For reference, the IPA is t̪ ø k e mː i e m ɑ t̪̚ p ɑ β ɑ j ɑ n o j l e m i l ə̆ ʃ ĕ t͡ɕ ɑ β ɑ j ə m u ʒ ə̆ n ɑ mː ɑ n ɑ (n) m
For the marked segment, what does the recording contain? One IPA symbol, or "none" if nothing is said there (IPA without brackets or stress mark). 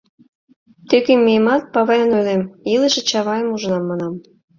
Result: none